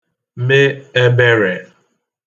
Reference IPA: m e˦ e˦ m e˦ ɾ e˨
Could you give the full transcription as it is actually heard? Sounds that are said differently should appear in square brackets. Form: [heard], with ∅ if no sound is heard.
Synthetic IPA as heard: m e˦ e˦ [b] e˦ ɾ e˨